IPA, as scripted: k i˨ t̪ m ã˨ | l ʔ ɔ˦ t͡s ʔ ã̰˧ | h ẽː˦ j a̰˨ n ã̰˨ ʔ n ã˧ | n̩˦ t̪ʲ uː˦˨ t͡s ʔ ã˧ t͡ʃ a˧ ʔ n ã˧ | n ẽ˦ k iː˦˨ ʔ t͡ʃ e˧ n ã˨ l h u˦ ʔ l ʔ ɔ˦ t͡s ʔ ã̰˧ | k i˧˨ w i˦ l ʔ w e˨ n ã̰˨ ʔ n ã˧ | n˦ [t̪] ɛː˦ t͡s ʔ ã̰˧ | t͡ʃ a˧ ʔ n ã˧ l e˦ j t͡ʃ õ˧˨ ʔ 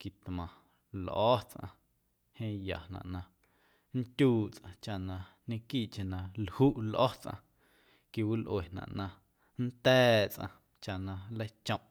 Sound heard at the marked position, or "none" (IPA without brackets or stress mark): t̪